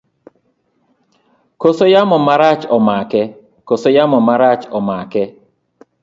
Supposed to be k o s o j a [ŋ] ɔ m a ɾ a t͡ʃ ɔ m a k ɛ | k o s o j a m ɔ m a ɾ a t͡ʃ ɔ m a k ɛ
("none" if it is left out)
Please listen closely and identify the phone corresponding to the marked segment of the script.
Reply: m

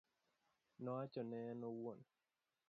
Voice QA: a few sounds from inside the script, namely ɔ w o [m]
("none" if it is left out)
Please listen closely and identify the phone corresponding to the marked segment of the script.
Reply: n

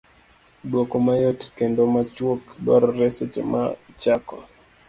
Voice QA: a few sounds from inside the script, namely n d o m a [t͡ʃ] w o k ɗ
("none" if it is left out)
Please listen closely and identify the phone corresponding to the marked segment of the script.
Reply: t͡ʃ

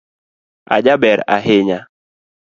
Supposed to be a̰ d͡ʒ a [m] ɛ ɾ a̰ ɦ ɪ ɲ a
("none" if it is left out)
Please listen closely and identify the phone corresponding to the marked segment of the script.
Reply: b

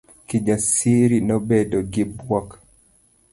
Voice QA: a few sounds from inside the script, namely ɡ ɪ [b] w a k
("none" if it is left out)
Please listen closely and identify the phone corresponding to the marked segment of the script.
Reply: b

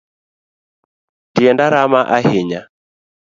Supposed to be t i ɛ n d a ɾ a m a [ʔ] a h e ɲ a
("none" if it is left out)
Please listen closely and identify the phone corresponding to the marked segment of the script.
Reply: ʔ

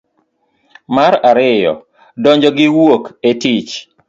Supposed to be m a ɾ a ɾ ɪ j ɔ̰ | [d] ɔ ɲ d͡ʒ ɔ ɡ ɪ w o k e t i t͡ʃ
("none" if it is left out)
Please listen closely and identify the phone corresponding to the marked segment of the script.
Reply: d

